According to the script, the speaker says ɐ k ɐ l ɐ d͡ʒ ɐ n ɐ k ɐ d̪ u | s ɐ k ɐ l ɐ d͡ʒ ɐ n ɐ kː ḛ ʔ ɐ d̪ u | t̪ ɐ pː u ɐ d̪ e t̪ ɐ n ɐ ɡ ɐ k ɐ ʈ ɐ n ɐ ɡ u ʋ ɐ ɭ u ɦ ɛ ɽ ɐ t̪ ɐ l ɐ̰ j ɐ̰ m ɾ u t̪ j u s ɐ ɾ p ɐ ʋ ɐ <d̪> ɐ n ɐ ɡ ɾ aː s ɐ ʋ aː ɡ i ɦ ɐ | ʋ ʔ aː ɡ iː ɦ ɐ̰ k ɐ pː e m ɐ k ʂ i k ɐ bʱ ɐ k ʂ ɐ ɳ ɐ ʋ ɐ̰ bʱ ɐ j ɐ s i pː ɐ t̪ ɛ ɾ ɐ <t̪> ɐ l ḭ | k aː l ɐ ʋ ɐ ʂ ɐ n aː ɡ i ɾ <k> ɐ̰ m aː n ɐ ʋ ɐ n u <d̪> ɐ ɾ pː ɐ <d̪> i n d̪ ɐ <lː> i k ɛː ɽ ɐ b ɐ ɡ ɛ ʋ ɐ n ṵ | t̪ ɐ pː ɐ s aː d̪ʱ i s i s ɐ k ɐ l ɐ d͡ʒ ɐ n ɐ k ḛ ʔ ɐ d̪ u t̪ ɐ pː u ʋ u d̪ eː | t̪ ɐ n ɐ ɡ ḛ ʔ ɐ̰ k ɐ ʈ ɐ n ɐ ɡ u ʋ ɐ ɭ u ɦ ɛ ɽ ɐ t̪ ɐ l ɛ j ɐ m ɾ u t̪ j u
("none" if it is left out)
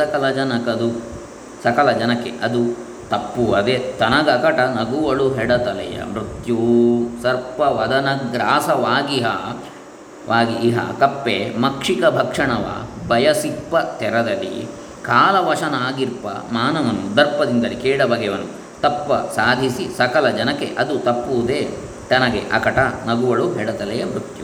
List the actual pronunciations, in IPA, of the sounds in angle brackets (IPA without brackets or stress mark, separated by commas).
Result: d̪, d̪, p, d̪, d̪, l